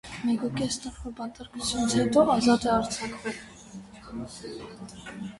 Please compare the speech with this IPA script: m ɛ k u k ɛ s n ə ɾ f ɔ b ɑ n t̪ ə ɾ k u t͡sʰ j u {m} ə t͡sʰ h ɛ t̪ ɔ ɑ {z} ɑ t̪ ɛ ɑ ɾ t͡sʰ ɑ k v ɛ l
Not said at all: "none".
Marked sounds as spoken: n, z

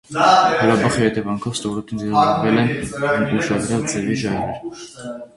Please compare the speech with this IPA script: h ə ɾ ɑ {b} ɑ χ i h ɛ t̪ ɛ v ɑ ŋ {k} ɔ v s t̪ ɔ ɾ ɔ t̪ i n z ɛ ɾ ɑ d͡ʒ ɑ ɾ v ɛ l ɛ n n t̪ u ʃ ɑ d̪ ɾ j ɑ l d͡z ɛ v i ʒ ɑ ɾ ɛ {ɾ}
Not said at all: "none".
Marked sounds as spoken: b, kʰ, ɾ

